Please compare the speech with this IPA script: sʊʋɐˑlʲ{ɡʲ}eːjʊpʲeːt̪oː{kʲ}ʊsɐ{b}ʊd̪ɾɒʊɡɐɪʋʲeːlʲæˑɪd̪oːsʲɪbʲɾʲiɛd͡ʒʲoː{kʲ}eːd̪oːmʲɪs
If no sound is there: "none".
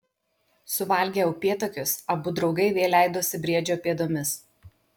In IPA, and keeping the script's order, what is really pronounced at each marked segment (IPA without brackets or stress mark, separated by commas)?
ɡʲ, kʲ, b, pʲ